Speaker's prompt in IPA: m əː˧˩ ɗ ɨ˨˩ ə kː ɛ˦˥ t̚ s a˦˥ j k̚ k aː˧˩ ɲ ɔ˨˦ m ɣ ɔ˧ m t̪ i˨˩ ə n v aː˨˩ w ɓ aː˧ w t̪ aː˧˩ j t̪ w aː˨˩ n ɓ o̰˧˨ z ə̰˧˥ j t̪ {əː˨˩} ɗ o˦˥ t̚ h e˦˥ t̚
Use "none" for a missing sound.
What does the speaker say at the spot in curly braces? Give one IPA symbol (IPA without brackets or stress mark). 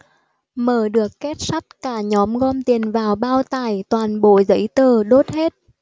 əː˨˩